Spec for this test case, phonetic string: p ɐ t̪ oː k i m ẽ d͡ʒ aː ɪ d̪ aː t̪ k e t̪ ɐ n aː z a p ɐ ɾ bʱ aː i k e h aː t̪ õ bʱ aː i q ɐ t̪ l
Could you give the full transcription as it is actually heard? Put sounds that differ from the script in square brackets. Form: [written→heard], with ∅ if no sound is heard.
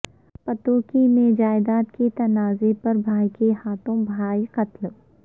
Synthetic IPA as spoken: p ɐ t̪ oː k i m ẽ d͡ʒ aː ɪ d̪ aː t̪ k e t̪ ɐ n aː z [a→e] p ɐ ɾ bʱ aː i k e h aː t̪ õ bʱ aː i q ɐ t̪ l